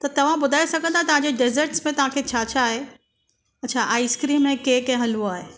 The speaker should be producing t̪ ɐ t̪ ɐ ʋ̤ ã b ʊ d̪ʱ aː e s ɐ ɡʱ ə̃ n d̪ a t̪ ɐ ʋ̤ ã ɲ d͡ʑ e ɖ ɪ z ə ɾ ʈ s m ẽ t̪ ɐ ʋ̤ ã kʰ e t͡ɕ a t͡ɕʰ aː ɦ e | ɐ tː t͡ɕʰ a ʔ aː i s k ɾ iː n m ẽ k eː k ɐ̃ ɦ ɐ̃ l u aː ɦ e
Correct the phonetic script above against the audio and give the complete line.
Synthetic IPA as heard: t̪ ɐ t̪ ɐ ʋ̤ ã b ʊ d̪ʱ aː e s ɐ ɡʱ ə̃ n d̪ a t̪ ɐ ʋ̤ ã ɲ d͡ʑ e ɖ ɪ z ə ɾ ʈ s m ẽ t̪ ɐ ʋ̤ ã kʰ e t͡ɕʰ a t͡ɕʰ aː ɦ e | ɐ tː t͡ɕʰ a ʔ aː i s k ɾ iː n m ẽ k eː k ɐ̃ ɦ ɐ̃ l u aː ɦ e